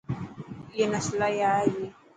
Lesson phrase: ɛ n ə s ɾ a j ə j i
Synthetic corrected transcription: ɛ n a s l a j a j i

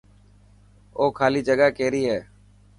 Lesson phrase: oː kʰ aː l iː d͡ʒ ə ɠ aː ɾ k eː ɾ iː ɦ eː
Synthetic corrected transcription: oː kʰ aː l iː d͡ʒ ə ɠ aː k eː ɾ iː ɦ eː

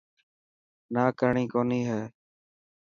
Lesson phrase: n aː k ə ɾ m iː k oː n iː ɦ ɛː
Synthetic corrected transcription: n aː k ə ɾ ɳ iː k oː n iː ɦ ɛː

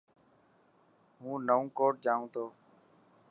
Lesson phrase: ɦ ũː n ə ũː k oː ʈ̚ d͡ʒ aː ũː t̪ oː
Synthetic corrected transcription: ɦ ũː n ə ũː k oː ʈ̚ d͡ʒ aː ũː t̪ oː

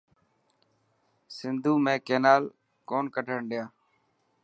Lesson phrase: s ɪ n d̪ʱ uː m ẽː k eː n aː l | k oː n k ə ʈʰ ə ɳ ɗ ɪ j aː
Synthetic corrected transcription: s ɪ n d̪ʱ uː m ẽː k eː n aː l | k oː n k ə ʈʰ ə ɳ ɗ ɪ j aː

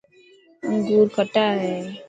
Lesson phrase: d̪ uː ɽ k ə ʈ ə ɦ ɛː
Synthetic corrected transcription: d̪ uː ɾ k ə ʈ a ɦ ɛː

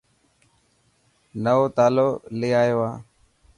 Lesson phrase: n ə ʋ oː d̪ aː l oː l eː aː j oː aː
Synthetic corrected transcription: n ə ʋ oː t̪ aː l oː l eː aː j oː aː

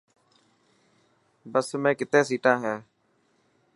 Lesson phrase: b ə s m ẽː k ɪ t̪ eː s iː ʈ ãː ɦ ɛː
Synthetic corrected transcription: b ə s m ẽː k ɪ t̪ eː s iː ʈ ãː ɦ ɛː

